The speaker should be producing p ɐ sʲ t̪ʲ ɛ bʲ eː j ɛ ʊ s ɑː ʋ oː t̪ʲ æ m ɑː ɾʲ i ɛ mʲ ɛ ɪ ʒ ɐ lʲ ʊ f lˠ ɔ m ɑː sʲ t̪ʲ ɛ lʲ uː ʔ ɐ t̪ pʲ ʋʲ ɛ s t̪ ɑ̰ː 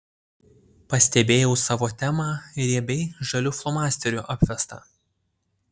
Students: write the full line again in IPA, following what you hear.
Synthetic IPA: p ɐ sʲ t̪ʲ ɛ bʲ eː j ɛ ʊ s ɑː ʋ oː t̪ʲ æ m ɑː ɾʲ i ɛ bʲ ɛ ɪ ʒ ɐ lʲ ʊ f lˠ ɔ m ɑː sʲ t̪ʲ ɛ ɾʲ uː ʔ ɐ pʲ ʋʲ ɛ s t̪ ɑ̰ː